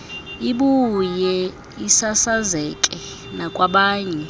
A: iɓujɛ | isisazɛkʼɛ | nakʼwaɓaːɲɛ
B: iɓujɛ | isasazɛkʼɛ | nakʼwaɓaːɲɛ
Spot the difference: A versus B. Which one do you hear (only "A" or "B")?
B